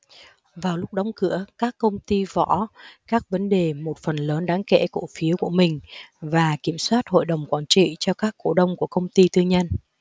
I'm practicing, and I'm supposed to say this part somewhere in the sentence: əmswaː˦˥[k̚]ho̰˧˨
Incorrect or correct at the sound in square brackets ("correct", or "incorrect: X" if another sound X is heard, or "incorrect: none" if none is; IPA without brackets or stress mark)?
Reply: incorrect: t̚